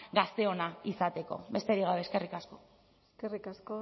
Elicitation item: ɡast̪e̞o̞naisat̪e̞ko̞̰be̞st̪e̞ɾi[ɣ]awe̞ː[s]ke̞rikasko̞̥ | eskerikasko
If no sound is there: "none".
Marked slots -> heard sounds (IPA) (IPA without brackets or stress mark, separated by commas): ɣ, s